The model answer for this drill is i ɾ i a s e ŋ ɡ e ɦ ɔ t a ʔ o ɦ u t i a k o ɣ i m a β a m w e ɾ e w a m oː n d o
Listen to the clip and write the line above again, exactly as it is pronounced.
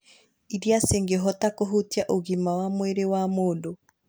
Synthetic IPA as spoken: i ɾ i a s e ŋ ɡ e ɦ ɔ t a k o ɦ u t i a ʔ o ɣ i m a w a m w e ɾ e w a m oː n d o